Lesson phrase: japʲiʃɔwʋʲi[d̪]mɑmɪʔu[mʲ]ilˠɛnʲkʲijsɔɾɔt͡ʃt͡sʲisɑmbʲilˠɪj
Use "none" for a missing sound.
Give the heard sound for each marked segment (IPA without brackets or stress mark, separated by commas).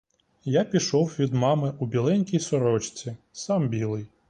d̪, bʲ